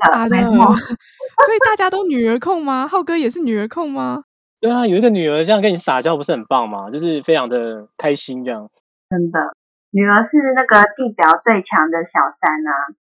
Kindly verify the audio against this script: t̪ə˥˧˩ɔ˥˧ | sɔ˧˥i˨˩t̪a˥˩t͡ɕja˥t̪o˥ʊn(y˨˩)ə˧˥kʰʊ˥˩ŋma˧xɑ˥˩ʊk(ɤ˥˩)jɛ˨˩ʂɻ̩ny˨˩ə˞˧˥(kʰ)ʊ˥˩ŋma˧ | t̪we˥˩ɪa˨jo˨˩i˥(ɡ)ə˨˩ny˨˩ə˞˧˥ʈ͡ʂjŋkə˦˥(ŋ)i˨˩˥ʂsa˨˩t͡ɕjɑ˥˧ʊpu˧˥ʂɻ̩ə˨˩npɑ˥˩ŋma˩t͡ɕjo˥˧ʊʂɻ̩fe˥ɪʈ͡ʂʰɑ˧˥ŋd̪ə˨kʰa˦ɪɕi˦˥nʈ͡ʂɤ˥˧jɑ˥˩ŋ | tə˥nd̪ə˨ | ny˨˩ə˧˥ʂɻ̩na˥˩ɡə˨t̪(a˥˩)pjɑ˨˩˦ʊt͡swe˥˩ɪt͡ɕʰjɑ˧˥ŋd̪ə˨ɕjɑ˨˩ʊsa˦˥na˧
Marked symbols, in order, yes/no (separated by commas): yes, no, yes, yes, no, no